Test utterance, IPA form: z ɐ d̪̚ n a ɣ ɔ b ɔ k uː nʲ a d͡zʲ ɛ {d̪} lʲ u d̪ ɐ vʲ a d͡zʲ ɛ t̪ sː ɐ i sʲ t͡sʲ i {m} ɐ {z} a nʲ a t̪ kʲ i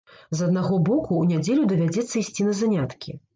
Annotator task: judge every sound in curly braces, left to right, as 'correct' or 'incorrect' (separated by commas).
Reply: incorrect, incorrect, correct